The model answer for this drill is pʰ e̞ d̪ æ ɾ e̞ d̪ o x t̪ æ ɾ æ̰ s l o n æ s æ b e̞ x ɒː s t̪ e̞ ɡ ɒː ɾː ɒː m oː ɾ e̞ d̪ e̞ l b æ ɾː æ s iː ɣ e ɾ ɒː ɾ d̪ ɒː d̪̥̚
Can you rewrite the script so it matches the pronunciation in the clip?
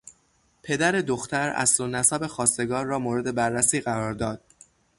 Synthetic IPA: pʰ e̞ d̪ æ ɾ e̞ d̪ o x t̪ æ ɾ æ̰ s l o n æ s æ b e̞ x ɒː s t̪ e̞ ɡ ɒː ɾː ɒː m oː ɾ e̞ d̪ e̞ b æ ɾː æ s iː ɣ æ ɾ ɒː ɾ d̪ ɒː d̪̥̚